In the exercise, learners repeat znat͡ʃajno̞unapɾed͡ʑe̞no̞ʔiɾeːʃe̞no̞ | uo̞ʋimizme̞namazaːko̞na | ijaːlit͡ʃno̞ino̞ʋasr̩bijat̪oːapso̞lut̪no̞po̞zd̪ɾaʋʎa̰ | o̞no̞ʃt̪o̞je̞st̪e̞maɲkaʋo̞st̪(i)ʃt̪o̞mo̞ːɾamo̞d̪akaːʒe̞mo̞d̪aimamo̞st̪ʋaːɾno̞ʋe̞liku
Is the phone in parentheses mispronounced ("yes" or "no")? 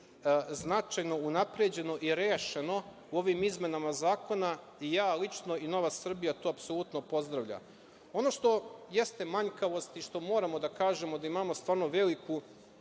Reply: no